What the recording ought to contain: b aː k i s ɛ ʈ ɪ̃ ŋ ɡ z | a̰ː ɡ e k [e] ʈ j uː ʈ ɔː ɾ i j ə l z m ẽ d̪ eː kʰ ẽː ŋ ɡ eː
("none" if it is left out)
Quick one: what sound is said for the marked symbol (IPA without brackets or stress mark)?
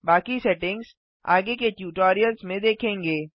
e